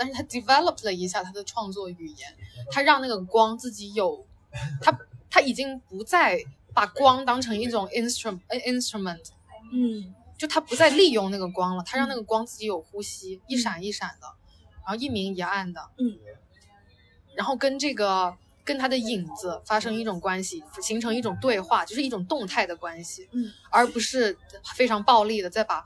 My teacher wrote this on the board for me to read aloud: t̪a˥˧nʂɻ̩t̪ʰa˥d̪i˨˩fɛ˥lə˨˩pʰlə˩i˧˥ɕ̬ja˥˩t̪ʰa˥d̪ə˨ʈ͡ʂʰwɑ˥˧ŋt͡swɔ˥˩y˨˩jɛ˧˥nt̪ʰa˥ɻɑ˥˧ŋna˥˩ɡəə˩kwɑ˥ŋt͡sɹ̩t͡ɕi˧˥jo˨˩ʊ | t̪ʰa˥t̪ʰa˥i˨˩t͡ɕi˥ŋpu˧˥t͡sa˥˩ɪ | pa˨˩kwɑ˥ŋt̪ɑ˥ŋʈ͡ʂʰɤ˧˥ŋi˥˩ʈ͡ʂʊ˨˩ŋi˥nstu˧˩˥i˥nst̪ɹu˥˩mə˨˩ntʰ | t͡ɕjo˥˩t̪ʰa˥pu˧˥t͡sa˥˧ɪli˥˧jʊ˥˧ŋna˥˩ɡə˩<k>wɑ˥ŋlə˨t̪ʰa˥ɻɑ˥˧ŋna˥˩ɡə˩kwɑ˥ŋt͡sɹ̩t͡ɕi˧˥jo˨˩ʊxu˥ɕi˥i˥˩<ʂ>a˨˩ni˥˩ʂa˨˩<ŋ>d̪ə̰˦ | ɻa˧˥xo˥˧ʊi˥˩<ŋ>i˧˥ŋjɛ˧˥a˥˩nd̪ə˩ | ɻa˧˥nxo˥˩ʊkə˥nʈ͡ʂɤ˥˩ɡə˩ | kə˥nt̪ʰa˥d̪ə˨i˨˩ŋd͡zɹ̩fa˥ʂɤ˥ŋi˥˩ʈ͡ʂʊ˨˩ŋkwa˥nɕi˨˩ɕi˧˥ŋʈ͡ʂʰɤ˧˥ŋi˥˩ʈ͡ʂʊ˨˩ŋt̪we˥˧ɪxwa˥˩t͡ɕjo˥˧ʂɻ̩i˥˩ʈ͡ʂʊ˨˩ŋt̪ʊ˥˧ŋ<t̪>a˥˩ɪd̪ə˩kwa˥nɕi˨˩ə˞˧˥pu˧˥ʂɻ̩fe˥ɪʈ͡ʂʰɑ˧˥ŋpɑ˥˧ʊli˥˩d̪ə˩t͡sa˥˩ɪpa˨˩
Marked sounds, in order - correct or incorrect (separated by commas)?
correct, correct, incorrect, incorrect, incorrect